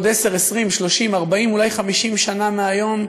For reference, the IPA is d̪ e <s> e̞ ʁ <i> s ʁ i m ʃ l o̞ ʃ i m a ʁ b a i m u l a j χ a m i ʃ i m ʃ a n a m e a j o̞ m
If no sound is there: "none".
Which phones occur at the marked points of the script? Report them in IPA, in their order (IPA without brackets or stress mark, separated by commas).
s, e